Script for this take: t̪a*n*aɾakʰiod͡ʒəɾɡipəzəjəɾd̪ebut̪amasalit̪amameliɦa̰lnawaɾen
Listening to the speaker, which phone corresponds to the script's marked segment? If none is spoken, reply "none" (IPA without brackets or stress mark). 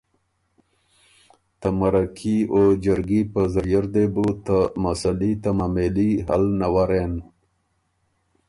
m